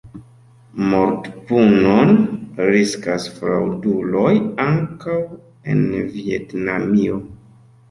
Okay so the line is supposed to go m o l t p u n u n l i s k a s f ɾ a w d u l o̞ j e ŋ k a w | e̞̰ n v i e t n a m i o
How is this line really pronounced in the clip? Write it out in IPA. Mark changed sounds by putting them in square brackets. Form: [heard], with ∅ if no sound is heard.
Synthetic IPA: m o [ɾ] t p u n [o] n [ɾ] i s k a s f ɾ a w d u l o̞ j [a] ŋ k a w | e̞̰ n v i e t n a m i o

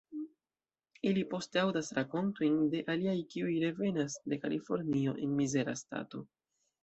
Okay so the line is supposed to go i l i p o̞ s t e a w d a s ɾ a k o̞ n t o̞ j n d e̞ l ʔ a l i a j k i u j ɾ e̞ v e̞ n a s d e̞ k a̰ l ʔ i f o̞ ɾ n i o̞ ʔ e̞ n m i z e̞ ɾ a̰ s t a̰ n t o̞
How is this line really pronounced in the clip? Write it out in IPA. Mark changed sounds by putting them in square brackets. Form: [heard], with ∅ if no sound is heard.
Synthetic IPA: i l i p o̞ s t e a w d a s ɾ a k o̞ n t o̞ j n d e̞ [∅] ʔ a l i a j k i u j ɾ e̞ v e̞ n a s d e̞ k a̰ l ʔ i f o̞ ɾ n i o̞ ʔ e̞ n m i z e̞ ɾ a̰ s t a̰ [∅] t o̞

